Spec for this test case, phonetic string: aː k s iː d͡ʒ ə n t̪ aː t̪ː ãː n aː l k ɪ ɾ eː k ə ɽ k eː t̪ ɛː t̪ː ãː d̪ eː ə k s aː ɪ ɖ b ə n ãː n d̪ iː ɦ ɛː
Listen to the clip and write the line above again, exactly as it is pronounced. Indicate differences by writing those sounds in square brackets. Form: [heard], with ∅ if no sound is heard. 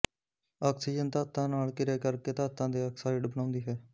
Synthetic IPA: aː k s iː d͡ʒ ə n t̪ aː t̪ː ãː n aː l k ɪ ɾ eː k ə [ɾ] k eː t̪ [aː] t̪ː ãː d̪ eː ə k s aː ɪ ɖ b ə n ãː n d̪ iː ɦ ɛː